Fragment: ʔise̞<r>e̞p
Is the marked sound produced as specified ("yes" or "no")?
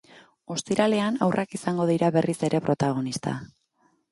no